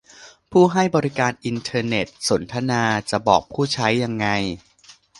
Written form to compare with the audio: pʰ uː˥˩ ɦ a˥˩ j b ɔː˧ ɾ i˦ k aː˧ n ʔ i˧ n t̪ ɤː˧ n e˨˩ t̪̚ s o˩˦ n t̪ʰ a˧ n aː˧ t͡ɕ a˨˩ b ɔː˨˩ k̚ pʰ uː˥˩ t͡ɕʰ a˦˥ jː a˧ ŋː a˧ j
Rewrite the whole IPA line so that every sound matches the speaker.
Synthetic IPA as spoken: pʰ uː˥˩ ɦ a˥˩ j b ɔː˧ ɾ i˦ k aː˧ n ʔ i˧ n t̪ʰ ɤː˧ n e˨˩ t̪̚ s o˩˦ n t̪ʰ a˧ n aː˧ t͡ɕ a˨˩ b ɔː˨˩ k̚ pʰ uː˥˩ t͡ɕʰ a˦˥ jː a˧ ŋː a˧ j

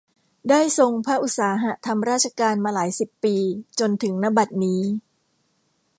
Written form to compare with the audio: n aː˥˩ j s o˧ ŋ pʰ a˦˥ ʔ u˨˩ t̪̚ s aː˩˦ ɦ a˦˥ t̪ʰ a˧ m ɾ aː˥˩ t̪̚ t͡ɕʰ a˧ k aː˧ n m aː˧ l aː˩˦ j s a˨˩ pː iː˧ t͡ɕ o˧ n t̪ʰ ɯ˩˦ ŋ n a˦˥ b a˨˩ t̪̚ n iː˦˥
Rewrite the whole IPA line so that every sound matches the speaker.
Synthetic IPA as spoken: d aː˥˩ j s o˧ ŋ pʰ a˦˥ ʔ u˨˩ t̪̚ s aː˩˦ ɦ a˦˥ t̪ʰ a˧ m ɾ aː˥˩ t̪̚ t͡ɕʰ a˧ k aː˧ n m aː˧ l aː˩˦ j s i˨˩ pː iː˧ t͡ɕ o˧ n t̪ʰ ɯ˩˦ ŋ n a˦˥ b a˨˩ t̪̚ n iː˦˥

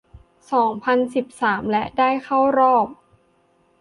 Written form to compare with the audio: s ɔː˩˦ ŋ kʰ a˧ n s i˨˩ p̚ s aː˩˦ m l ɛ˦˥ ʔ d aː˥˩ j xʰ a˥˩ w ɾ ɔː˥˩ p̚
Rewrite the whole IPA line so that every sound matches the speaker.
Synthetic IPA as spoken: s ɔː˩˦ ŋ pʰ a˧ n s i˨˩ p̚ s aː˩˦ m l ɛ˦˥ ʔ d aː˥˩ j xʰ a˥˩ w ɾ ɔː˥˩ p̚

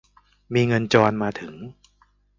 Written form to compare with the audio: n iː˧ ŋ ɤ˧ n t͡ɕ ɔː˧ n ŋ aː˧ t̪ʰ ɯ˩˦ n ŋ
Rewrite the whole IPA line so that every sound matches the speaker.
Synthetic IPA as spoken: m iː˧ ŋ ɤ˧ n t͡ɕ ɔː˧ n m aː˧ t̪ʰ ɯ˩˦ ŋ

